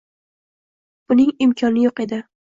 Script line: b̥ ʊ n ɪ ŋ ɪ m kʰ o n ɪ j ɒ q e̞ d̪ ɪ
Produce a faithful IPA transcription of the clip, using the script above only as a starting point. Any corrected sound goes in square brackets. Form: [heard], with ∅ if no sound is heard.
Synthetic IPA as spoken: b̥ ʊ n ɪ ŋ ɪ m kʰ [ɒ] n ɪ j [o] q e̞ d̪ ɪ